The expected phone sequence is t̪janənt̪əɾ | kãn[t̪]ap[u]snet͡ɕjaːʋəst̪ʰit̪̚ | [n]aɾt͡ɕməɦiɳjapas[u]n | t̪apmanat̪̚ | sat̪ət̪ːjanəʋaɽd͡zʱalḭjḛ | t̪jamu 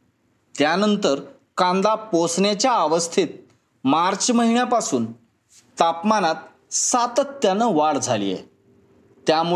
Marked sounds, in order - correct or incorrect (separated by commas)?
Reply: incorrect, incorrect, incorrect, incorrect